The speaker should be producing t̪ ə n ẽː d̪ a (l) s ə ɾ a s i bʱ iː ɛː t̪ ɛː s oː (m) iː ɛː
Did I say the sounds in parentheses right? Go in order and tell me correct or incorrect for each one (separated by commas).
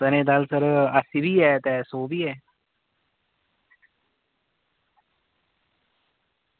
correct, incorrect